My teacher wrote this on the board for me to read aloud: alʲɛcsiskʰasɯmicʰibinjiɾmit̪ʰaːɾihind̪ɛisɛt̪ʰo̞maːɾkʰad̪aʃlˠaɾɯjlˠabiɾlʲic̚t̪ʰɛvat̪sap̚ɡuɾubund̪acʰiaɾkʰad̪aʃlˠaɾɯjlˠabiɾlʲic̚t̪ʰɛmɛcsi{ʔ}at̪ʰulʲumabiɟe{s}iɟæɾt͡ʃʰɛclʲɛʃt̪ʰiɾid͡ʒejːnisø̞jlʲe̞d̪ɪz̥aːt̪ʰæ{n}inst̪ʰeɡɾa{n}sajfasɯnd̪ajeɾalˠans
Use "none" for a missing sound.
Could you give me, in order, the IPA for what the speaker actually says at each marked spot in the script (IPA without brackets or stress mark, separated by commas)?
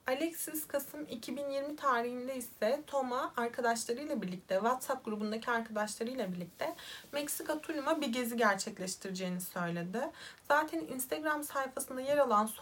k, z, n, m